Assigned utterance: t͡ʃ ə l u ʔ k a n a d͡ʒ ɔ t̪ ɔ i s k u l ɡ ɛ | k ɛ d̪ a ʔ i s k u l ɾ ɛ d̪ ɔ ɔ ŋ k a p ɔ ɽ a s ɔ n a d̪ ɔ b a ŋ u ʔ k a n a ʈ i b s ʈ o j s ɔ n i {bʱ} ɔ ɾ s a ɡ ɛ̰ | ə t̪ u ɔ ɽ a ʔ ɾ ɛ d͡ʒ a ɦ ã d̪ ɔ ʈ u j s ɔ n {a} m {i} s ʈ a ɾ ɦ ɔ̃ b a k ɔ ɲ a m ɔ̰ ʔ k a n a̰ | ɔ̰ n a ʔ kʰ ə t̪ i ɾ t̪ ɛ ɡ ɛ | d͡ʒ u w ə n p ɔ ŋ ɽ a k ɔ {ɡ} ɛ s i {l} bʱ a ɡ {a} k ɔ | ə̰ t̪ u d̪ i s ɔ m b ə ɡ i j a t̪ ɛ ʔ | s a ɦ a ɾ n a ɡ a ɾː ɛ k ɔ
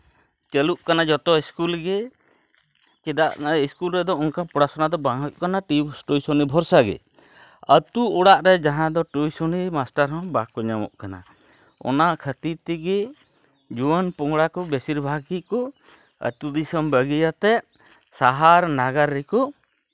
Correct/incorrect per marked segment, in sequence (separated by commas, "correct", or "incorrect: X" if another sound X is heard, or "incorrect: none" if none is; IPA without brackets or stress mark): correct, incorrect: i, incorrect: a, incorrect: b, incorrect: ɾ, incorrect: i